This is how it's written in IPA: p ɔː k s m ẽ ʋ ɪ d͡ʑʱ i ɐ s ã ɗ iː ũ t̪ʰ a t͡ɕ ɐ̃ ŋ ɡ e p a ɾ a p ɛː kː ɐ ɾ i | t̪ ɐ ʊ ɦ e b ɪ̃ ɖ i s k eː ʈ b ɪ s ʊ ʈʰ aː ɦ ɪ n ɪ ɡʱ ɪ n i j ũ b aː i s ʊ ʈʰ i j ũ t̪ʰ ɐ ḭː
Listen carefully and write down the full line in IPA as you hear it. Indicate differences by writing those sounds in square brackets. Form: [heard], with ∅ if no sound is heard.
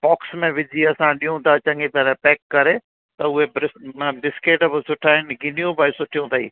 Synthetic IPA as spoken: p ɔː k s m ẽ ʋ ɪ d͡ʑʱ i ɐ s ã ɗ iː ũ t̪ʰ a t͡ɕ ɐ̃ ŋ ɡ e p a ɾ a p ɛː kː ɐ ɾ [e] | t̪ ɐ ʊ ɦ e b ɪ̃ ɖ [ɪ] s k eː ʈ b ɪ s ʊ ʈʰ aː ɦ ɪ n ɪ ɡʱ ɪ n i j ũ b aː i s ʊ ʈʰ i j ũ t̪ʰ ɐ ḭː